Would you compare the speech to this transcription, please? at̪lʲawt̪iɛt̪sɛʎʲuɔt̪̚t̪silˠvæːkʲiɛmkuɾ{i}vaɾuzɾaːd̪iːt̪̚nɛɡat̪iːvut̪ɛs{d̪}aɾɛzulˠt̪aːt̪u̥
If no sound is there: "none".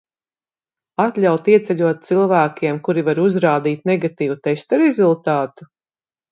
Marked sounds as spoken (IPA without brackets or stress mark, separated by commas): i, t̪